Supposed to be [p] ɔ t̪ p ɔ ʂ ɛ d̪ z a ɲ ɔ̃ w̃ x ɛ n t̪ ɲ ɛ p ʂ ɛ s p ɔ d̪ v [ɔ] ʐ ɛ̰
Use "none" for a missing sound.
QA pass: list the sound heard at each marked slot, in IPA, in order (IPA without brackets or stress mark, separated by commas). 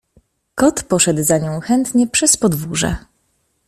k, u